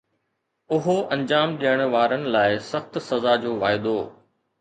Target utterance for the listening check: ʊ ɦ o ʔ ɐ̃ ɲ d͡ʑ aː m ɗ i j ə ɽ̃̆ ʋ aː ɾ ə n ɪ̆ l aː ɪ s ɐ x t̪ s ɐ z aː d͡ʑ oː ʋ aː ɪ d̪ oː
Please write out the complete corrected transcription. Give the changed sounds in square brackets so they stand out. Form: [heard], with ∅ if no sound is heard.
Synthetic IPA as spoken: ʊ ɦ o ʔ ɐ̃ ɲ d͡ʑ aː m ɗ i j ə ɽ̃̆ ʋ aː ɾ ə n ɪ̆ l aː ɪ s ɐ x t̪ s ɐ z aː d͡ʑ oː ʋ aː ɪ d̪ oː